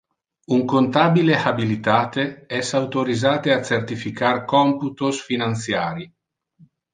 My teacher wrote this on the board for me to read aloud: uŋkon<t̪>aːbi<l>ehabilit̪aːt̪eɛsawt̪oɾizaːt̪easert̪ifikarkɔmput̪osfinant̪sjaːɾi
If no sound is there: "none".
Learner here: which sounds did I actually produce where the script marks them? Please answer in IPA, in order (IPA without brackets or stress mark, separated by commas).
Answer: t̪, l